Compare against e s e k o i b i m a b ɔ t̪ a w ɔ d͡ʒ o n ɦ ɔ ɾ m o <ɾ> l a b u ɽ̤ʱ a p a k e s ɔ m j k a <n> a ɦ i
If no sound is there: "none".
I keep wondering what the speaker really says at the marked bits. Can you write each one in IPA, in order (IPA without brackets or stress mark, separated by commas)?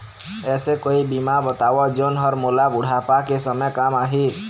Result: none, m